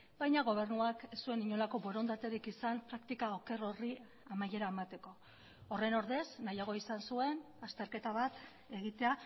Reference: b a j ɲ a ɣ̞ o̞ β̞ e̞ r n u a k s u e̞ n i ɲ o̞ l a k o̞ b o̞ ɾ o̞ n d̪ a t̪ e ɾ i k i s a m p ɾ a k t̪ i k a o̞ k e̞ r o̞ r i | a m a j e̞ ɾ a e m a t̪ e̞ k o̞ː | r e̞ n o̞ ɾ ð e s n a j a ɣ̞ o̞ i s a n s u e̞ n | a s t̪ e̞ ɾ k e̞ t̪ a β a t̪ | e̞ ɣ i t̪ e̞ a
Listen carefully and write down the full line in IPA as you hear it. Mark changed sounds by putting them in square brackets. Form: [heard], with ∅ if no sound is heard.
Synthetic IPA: b a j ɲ a ɣ̞ o̞ β̞ e̞ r n u a k s u e̞ n i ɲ o̞ l a k o̞ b o̞ ɾ o̞ n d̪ a t̪ e ɾ i k i s a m p ɾ a k t̪ i k a o̞ k e̞ r o̞ r i | a m a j e̞ ɾ a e m a t̪ e̞ k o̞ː | r e̞ n o̞ ɾ ð e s n a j a ɣ̞ o̞ i s a n s u e̞ n | a s t̪ e̞ ɾ k e̞ t̪ a β a t̪ | e̞ ɣ i t̪ e̞ a